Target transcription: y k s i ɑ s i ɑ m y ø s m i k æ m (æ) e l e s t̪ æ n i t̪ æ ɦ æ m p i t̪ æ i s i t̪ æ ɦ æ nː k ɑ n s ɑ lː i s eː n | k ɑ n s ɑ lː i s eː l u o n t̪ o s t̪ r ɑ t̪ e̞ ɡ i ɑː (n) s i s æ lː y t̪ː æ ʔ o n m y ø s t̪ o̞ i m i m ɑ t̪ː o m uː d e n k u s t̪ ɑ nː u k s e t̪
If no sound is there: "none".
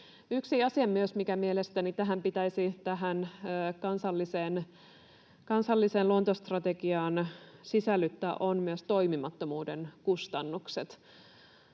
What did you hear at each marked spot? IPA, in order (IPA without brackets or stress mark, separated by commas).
i, n